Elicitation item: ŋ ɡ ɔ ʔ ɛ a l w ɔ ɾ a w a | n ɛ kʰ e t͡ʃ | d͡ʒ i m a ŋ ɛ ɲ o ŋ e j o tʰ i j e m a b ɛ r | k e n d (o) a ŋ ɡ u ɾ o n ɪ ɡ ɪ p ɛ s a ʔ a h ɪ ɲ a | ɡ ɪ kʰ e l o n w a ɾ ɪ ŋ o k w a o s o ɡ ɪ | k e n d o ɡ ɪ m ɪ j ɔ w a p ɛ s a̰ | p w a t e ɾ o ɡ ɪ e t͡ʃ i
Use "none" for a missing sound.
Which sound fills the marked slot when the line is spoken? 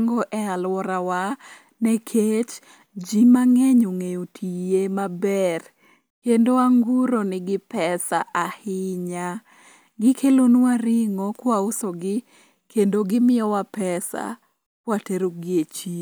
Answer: o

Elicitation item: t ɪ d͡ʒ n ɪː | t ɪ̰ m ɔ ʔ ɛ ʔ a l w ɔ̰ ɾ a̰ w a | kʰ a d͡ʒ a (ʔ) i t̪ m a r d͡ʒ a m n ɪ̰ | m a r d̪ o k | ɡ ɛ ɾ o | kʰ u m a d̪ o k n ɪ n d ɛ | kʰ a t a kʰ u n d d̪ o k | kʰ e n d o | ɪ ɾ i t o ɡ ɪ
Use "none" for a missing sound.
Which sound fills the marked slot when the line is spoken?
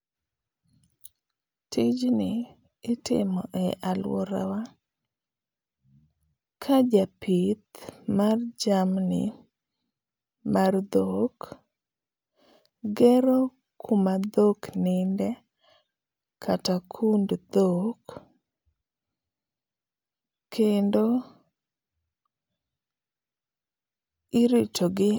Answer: p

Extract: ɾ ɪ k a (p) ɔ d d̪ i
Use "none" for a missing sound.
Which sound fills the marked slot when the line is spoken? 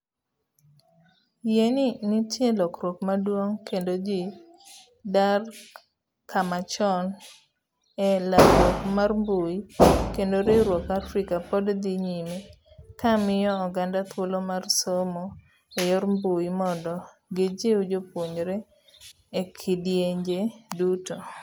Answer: p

